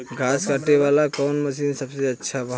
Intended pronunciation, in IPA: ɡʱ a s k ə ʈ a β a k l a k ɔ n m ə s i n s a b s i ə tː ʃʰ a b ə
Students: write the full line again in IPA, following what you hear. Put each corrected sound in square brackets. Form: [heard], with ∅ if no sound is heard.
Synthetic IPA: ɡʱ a s k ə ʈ [e] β a [∅] l a k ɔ n m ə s i n s [ə] b s [e] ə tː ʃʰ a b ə